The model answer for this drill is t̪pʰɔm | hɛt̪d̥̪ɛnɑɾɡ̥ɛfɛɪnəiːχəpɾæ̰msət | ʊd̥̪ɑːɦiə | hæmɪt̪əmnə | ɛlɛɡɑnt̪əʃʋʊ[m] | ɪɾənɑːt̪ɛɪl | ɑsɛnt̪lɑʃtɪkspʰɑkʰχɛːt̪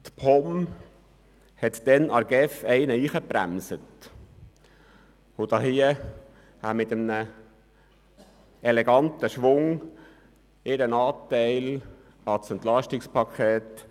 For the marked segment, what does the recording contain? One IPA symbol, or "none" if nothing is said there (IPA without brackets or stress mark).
ŋ